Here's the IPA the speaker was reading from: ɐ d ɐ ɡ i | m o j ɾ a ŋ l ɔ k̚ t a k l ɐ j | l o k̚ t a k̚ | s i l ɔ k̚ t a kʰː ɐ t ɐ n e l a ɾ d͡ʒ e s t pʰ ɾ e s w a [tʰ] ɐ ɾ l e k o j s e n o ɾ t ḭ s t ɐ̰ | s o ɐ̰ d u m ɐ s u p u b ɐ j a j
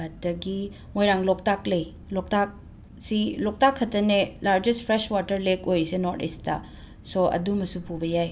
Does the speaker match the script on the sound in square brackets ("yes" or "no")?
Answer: no